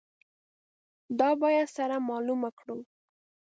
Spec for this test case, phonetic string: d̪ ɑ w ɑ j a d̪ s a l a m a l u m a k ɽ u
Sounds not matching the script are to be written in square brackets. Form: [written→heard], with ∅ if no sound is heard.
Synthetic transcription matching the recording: d̪ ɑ [w→b] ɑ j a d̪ s a [l→ɾ] a m [a→ɑ] l u m a k ɽ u